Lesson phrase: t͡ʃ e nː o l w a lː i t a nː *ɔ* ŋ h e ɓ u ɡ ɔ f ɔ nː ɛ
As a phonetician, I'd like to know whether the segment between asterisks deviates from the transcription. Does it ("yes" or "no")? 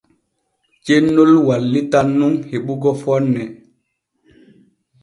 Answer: yes